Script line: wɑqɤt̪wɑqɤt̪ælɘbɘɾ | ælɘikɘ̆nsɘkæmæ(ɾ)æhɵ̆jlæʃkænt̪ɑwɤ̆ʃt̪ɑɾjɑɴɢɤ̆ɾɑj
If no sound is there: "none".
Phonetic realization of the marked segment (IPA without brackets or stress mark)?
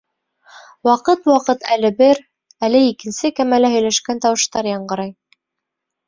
l